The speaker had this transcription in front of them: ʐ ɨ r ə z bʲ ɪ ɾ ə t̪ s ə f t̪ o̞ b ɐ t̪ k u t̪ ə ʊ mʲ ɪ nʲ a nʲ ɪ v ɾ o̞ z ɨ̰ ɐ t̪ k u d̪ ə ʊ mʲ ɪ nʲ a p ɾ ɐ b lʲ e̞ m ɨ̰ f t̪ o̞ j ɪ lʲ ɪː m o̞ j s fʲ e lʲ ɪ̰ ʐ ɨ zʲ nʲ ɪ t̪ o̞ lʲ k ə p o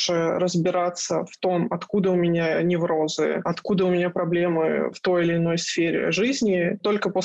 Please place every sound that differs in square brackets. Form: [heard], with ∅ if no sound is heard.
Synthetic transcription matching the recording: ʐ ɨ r ə z bʲ ɪ ɾ [a] t̪ s ə f t̪ o̞ [m] ɐ t̪ k u [d̪] ə ʊ mʲ ɪ nʲ a nʲ ɪ v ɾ o̞ z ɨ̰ ɐ t̪ k u d̪ ə ʊ mʲ ɪ nʲ a p ɾ ɐ b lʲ e̞ m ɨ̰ f t̪ o̞ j ɪ lʲ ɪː [n] o̞ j s fʲ e [ɾʲ] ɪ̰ ʐ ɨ zʲ nʲ ɪ t̪ o̞ lʲ k ə p o